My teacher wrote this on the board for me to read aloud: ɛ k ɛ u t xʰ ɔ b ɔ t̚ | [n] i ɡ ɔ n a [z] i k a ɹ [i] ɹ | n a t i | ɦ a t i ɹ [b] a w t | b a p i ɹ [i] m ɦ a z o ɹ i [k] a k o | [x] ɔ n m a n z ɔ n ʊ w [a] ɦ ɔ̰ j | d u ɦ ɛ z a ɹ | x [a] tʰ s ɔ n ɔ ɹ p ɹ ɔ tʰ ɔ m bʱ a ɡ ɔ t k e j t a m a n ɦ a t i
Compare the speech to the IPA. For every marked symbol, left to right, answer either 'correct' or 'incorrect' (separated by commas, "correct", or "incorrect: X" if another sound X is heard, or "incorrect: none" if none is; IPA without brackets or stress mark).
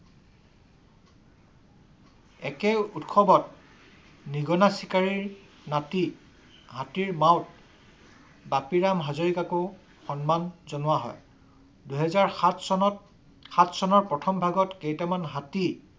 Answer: correct, incorrect: s, correct, incorrect: m, incorrect: a, correct, correct, correct, correct